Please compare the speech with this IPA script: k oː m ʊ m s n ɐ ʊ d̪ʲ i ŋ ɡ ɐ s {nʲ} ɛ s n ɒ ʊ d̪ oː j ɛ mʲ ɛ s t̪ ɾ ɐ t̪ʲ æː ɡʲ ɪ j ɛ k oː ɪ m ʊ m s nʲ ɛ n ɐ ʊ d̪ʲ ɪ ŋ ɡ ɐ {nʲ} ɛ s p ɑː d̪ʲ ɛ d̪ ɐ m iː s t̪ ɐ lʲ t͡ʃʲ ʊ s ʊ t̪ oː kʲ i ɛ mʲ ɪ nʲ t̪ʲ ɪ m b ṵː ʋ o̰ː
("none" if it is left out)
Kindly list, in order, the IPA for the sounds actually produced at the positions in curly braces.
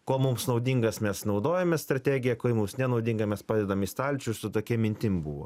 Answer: mʲ, mʲ

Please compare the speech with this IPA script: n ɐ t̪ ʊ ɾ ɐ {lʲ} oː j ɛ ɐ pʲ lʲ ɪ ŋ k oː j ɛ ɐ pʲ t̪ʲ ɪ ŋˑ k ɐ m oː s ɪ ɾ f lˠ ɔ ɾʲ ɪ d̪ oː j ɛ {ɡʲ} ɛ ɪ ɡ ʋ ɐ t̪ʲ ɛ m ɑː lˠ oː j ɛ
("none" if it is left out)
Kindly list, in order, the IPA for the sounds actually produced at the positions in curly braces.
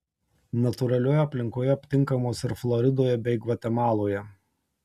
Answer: lʲ, bʲ

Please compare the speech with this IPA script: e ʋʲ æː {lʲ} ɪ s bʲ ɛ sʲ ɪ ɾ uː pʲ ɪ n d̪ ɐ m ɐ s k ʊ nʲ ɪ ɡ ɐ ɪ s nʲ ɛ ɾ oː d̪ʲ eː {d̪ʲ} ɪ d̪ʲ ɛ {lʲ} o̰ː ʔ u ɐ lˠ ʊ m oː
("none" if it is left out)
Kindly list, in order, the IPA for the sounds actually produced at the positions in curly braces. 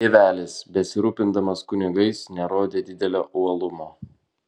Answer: lʲ, d̪ʲ, lʲ

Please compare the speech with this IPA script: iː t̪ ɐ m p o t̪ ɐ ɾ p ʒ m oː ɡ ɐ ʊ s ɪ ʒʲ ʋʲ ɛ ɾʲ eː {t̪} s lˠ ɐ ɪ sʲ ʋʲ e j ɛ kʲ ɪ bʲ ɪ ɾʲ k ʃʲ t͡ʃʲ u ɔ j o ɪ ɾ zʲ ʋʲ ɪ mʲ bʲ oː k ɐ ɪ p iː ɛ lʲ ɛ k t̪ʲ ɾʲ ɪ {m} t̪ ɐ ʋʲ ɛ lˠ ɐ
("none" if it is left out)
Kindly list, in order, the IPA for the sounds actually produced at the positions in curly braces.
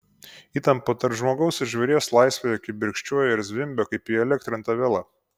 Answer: none, n

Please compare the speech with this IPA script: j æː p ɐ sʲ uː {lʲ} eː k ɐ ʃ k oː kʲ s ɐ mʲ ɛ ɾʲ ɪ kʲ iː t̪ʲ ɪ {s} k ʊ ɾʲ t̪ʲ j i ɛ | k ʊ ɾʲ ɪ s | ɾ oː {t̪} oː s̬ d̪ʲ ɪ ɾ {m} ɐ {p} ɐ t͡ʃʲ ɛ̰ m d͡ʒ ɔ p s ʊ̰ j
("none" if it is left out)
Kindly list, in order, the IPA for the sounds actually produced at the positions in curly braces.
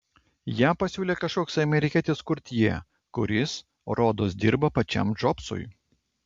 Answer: lʲ, s, d̪, b, p

